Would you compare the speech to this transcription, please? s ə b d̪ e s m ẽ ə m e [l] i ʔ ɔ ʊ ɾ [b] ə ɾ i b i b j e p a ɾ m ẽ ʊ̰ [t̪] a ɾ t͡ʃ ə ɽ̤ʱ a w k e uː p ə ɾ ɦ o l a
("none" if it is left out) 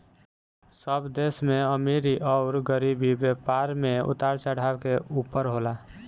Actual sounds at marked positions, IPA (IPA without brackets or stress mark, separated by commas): ɾ, ɡ, t̪